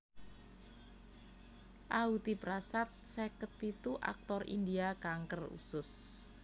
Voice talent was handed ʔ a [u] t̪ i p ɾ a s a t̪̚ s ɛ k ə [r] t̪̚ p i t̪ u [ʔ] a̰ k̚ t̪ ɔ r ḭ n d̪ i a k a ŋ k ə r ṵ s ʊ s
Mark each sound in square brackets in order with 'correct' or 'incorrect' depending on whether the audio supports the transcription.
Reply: correct, incorrect: none, correct

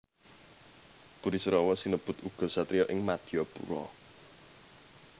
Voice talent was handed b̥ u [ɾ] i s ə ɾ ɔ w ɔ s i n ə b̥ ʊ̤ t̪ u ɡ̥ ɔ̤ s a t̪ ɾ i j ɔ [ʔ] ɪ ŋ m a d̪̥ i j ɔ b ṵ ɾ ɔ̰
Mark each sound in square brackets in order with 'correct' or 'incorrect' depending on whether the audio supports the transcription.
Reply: correct, correct

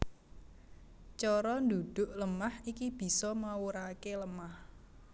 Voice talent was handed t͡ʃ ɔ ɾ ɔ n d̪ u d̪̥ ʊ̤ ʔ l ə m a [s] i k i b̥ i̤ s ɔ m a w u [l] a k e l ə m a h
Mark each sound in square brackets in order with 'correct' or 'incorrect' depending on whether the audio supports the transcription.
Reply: incorrect: h, incorrect: ɾ

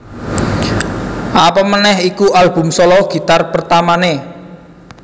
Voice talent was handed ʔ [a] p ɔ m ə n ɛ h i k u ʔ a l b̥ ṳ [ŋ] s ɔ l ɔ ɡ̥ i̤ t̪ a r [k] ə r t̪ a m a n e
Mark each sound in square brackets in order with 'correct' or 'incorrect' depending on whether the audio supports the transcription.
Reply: correct, incorrect: m, incorrect: p

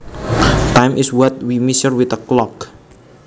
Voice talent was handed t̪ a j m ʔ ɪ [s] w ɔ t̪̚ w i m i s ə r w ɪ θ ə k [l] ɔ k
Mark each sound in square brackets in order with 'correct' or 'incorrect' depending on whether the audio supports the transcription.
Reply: correct, correct

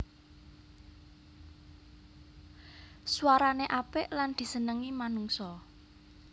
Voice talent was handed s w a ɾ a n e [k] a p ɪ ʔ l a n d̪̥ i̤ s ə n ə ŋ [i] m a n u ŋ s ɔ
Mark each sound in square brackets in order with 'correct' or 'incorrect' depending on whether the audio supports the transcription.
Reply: incorrect: ʔ, correct

